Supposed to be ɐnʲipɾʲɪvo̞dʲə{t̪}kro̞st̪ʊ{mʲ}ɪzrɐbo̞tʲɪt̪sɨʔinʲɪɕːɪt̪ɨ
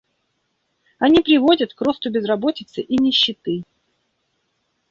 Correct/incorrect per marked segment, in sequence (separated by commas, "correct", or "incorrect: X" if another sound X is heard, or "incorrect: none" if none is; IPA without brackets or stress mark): correct, incorrect: bʲ